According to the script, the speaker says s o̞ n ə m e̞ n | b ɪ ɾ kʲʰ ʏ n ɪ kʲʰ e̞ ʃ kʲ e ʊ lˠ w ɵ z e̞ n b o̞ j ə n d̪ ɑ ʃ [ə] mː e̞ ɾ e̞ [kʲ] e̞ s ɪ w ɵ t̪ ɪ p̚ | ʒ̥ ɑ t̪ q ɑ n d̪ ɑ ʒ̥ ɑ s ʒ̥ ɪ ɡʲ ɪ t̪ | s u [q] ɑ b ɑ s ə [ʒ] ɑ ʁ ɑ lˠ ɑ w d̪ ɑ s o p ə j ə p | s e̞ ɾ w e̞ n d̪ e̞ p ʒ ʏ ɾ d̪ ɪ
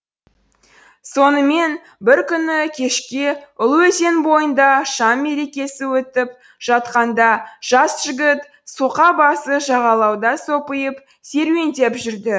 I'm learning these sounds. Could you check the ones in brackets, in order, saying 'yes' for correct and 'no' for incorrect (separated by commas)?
no, yes, yes, yes